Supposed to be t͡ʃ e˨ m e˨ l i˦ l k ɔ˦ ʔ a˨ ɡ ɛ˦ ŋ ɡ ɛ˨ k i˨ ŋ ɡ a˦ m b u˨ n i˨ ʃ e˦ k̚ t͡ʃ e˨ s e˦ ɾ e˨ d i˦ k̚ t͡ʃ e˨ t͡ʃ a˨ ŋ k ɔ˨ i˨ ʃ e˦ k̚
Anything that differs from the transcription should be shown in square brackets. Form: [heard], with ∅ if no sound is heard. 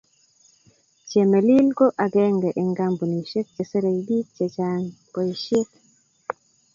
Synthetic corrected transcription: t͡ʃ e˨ m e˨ l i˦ l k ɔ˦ ʔ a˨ ɡ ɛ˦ ŋ ɡ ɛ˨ [ʔ] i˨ ŋ ɡ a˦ m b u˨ n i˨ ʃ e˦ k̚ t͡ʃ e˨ s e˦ ɾ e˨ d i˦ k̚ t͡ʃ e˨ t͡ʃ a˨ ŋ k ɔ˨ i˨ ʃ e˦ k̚